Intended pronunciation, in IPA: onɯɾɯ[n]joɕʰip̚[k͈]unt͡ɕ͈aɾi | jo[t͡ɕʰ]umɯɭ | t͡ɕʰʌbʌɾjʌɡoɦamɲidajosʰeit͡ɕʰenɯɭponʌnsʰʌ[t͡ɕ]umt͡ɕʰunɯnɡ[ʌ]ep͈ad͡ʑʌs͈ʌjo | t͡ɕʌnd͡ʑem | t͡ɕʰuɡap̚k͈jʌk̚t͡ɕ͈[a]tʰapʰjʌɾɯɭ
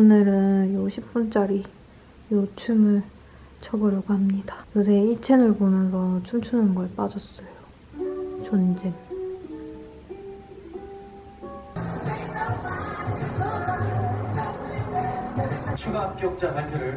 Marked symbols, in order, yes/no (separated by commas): yes, no, yes, no, yes, yes